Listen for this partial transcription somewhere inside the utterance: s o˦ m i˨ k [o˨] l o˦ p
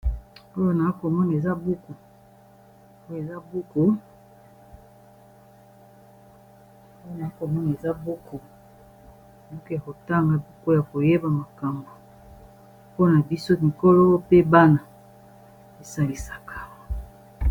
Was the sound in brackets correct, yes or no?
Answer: no